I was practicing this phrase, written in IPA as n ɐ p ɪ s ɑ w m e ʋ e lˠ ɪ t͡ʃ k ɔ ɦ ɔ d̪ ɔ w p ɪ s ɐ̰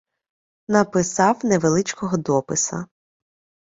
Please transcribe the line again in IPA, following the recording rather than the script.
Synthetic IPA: n ɐ p ɪ s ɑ w n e ʋ e lˠ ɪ t͡ʃ k ɔ ɦ ɔ d̪ ɔ p ɪ s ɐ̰

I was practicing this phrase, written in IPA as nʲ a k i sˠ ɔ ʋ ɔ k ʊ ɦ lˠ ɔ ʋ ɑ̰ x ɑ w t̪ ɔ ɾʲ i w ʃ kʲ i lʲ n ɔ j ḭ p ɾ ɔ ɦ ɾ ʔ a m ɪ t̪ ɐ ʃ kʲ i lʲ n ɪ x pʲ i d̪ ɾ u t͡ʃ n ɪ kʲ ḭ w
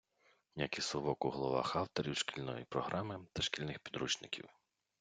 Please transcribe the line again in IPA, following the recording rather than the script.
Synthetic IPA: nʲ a k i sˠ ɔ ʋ ɔ k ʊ ɦ lˠ ɔ ʋ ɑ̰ x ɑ w t̪ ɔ ɾʲ i w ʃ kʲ i lʲ n ɔ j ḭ p ɾ ɔ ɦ ɾ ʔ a m ɪ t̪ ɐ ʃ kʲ i lʲ n ɪ x pʲ i d̪ ɾ u t͡ʃ n ɪ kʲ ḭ w

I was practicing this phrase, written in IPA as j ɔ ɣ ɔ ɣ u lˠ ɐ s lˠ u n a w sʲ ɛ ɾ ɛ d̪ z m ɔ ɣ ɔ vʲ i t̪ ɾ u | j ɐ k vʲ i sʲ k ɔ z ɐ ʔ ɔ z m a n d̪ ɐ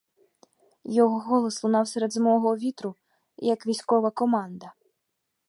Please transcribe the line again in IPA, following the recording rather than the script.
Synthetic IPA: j ɔ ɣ ɔ ɣ ɔ lˠ ɐ s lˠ u n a w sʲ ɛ ɾ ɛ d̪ z m ɔ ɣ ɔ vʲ i t̪ ɾ u | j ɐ k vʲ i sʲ k ɔ v ɐ k ɔ m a n d̪ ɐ

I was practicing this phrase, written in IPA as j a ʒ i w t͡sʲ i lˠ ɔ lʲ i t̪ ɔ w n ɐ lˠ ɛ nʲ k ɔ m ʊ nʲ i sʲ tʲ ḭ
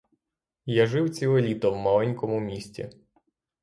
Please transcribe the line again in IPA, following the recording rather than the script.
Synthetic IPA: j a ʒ ɪ w t͡sʲ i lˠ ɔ lʲ i t̪ ɔ w m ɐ lˠ ɛ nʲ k ɔ m ʊ mʲ i sʲ tʲ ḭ

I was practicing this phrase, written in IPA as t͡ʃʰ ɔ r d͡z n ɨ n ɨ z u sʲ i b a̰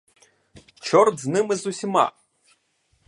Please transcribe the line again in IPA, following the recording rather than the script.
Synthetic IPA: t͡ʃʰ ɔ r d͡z n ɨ m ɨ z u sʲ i m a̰

